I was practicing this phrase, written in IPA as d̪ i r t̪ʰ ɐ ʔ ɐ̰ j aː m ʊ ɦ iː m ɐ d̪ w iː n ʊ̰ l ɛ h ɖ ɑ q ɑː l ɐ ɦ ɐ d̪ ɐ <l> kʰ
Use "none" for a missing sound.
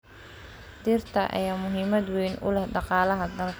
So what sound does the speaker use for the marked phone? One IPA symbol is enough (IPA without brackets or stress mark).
l